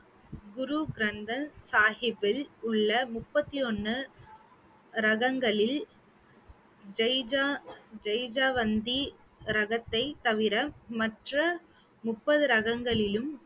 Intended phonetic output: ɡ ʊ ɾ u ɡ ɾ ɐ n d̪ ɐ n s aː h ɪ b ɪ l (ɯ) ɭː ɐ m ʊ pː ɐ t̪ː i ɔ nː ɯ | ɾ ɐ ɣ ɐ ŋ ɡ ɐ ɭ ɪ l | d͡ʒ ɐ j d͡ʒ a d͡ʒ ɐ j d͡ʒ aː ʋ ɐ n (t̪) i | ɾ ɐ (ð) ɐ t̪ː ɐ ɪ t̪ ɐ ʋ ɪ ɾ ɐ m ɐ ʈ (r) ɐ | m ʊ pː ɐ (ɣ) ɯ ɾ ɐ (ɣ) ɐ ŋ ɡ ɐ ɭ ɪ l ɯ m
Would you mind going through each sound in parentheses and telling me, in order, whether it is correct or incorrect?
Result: incorrect: ʊ, incorrect: d̪, incorrect: ɣ, correct, incorrect: ð, correct

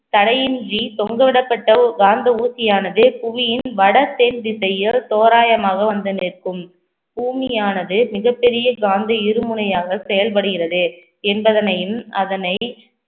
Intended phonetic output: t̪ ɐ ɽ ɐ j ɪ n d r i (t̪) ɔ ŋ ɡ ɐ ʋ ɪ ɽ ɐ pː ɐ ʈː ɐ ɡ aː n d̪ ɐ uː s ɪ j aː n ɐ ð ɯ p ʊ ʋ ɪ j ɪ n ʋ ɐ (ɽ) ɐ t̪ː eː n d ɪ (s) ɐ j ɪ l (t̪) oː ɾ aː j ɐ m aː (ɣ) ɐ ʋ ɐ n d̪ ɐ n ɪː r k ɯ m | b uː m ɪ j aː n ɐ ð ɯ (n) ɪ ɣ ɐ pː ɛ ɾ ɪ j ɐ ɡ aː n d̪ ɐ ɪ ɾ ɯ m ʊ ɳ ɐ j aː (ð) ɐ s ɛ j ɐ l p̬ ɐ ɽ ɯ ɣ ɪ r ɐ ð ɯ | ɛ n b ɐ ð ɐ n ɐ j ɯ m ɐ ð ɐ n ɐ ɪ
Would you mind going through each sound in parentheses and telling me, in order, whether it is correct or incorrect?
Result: correct, correct, correct, correct, correct, incorrect: m, incorrect: ɣ

